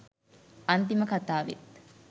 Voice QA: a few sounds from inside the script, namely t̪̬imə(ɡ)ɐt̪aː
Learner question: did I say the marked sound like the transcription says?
no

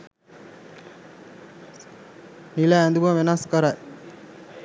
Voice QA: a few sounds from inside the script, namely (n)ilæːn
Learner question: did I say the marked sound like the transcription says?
yes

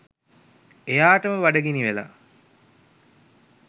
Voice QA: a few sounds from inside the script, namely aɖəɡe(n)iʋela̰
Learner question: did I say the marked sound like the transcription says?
yes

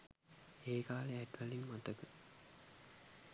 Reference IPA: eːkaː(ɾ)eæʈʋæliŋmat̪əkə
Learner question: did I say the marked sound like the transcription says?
no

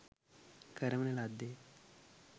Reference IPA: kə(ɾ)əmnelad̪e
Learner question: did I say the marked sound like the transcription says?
yes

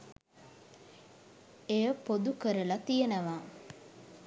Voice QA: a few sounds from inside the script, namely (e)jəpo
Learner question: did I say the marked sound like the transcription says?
yes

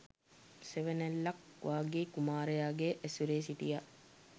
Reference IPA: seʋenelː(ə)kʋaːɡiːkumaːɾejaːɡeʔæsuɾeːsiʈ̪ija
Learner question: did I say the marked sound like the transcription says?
no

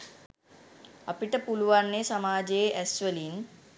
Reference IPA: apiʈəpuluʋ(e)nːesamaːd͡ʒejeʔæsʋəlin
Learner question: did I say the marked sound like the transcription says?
no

